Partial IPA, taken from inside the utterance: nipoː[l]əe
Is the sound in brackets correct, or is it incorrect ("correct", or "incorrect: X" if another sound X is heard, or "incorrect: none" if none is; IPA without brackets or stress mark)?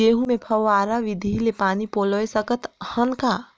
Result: correct